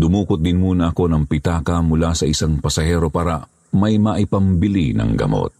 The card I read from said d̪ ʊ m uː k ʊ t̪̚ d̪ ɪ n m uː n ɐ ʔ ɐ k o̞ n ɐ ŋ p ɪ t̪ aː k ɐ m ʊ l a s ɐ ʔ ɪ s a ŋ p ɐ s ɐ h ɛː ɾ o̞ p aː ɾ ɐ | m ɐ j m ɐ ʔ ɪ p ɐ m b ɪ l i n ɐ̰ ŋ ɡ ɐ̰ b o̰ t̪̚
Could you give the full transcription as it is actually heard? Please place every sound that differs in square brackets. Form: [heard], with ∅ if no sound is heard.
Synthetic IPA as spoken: d̪ ʊ m uː k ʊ t̪̚ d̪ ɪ n m uː n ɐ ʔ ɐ k o̞ n ɐ ŋ p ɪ t̪ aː k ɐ m ʊ l a s ɐ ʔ ɪ s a ŋ p ɐ s ɐ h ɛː ɾ o̞ p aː ɾ ɐ | m ɐ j m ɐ ʔ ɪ p ɐ m b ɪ l i n ɐ̰ ŋ ɡ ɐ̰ [m] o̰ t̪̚